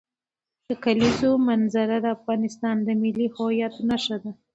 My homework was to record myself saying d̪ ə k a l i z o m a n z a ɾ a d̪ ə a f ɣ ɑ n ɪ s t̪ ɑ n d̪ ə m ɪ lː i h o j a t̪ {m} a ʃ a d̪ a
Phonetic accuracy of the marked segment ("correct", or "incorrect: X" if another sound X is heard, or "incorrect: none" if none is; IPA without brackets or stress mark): incorrect: n